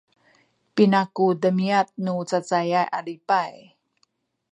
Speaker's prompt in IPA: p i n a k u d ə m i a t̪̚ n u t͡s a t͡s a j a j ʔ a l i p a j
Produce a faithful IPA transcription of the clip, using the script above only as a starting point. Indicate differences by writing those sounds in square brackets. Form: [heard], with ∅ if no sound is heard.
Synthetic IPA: p i n a k u d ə m i a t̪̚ n u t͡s a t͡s a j a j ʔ a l i p a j